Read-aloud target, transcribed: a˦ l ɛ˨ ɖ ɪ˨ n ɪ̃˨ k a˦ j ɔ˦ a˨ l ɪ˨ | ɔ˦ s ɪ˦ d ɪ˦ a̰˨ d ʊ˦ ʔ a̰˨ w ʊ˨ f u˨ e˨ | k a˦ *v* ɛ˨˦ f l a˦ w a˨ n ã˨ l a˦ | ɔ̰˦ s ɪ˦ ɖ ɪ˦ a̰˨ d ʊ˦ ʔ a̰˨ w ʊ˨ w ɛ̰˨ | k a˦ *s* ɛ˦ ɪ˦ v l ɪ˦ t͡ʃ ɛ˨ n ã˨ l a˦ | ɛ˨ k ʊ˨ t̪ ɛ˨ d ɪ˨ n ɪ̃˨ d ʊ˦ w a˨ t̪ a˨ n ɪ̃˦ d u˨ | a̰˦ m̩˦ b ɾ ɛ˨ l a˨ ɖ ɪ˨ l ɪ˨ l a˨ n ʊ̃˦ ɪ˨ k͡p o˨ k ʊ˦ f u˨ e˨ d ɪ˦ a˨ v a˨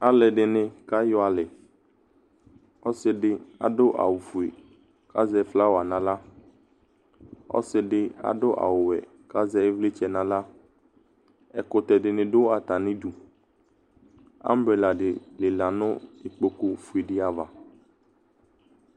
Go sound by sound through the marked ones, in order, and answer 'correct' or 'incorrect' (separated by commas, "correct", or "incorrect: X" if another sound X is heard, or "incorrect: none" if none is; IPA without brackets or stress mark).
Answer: incorrect: z, incorrect: z